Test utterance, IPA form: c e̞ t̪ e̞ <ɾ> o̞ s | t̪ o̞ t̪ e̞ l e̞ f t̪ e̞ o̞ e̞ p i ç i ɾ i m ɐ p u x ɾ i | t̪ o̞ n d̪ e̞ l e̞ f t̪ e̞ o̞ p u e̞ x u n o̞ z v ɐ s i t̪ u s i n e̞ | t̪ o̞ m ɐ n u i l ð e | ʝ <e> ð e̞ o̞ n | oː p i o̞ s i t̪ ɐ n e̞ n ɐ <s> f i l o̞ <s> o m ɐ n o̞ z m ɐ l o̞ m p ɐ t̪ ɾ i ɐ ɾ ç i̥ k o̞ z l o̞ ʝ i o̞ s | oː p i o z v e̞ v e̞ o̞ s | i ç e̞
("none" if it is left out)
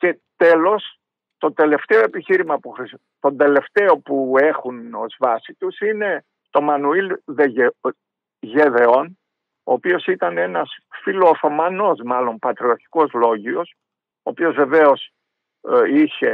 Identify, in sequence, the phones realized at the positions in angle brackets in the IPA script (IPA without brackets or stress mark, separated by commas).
l, e, s, θ